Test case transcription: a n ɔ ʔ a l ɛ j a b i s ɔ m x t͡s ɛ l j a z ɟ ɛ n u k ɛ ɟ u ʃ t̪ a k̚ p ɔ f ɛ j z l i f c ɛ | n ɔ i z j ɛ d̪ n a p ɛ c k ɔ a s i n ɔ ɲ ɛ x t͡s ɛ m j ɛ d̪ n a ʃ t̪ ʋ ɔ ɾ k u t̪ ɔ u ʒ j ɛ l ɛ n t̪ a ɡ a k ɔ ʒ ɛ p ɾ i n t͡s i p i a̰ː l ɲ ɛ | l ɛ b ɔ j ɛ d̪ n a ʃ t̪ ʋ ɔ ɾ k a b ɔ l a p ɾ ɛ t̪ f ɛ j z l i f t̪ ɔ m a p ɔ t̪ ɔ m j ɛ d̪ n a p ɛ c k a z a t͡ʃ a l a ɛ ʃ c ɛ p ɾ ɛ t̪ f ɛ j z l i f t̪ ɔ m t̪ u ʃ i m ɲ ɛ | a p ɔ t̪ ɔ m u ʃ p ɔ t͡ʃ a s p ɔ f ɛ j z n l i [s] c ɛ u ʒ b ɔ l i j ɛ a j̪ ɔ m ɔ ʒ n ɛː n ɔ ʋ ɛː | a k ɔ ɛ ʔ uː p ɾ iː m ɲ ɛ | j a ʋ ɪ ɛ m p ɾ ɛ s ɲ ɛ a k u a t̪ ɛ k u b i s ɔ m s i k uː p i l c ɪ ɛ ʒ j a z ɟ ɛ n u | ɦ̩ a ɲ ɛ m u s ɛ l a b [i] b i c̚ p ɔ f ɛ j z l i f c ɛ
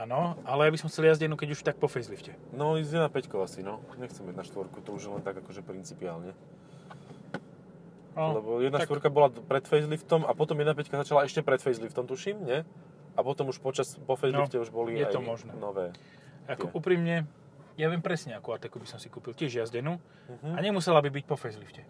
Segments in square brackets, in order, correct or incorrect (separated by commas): incorrect, correct